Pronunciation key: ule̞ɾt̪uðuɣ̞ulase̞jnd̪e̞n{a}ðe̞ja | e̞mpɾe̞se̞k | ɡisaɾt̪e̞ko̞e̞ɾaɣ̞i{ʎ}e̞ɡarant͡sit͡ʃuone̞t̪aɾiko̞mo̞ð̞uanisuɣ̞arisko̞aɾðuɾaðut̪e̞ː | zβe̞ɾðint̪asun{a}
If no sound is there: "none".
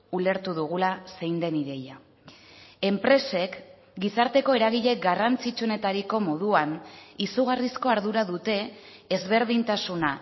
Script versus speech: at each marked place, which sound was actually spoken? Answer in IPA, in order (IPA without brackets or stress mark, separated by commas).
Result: i, ʎ, a